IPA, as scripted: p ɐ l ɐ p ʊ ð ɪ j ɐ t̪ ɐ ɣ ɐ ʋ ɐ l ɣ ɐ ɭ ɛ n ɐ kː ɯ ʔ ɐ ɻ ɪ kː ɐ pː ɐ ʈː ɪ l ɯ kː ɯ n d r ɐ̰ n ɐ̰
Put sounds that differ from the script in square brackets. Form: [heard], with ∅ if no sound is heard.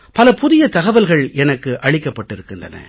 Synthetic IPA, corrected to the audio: p ɐ l ɐ p ʊ ð ɪ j ɐ t̪ ɐ ɣ ɐ ʋ ɐ l ɣ ɐ ɭ ɛ n ɐ kː ɯ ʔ ɐ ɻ ɪ kː ɐ pː ɐ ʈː ɪ [ɾ] ɯ kː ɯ n d r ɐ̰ n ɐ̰